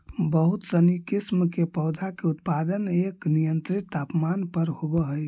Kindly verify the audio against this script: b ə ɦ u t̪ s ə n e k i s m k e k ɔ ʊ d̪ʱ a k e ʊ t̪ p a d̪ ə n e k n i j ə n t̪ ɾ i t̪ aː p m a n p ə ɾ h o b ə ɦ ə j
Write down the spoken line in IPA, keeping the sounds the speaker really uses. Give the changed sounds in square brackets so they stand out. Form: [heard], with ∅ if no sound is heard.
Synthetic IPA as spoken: b ə ɦ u t̪ s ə n [i] k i s m k e [p] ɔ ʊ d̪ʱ a k e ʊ t̪ p a d̪ ə n e k n i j ə n t̪ ɾ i t̪ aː p m a n p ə ɾ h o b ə ɦ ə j